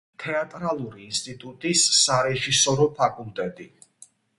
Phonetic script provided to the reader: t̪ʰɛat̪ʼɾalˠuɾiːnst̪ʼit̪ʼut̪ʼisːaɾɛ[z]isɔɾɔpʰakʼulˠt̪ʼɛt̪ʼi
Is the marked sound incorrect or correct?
incorrect